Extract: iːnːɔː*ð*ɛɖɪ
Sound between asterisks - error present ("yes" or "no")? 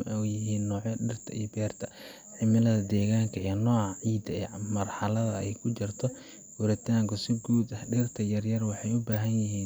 yes